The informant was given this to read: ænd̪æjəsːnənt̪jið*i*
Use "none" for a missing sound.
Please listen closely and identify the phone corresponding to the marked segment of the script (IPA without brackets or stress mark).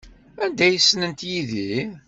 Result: i